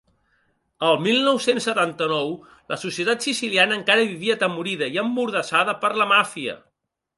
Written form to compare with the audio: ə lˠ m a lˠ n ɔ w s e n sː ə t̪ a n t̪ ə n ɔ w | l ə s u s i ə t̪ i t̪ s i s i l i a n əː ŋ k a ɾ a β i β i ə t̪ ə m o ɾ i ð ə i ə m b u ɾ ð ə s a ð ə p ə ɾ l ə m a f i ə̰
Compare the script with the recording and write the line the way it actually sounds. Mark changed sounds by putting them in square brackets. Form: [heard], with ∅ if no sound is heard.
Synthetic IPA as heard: ə lˠ m [i] lˠ n ɔ w s e n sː ə t̪ a n t̪ ə n ɔ w | l ə s u s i ə t̪ [a] t̪ s i s i l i a n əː ŋ k a ɾ [ə] β i β i ə t̪ ə m [u] ɾ i ð ə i ə m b u ɾ ð ə s a ð ə p ə ɾ l ə m a f i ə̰